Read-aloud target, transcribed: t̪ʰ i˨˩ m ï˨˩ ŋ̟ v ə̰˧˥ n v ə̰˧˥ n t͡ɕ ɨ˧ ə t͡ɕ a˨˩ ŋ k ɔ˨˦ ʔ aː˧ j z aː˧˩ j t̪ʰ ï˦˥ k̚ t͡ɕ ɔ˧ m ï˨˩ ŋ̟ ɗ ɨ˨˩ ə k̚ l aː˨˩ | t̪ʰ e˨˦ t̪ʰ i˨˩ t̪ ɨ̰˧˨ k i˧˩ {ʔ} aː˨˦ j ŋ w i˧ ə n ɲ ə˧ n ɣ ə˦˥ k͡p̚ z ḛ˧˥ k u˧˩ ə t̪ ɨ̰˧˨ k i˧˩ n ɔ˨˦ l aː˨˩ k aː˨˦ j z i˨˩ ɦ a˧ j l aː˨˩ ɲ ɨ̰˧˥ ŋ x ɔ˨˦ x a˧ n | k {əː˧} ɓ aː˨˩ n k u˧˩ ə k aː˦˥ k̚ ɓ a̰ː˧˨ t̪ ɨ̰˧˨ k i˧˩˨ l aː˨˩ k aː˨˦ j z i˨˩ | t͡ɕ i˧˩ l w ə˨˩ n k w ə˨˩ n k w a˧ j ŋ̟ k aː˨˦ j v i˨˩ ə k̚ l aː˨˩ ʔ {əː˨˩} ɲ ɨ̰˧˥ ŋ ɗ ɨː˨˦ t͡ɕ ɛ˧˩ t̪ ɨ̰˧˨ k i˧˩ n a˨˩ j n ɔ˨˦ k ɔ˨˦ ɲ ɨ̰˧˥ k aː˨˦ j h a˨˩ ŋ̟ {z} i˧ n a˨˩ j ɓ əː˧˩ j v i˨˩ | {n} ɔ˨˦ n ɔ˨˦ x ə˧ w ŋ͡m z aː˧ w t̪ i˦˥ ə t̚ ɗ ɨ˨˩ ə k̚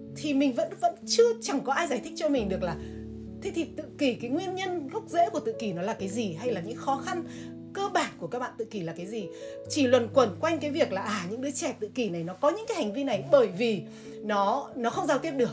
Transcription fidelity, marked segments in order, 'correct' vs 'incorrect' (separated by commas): incorrect, correct, incorrect, incorrect, correct